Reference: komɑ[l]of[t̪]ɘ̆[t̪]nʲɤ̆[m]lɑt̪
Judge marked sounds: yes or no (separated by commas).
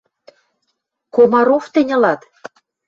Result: no, yes, no, no